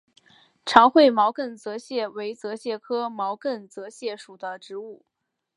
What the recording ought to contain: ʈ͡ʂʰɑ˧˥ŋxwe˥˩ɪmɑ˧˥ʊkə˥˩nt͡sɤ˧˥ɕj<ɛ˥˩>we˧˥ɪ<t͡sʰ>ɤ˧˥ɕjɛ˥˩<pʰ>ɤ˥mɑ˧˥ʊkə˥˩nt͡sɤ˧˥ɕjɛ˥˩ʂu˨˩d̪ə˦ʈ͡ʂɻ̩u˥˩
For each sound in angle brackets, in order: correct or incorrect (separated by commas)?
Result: correct, incorrect, incorrect